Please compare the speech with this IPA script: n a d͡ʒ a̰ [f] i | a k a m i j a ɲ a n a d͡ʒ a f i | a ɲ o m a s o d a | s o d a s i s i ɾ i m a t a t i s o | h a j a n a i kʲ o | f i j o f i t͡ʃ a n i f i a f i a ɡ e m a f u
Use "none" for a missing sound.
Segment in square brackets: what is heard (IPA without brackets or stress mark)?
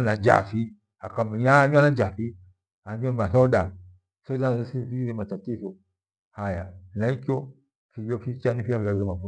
f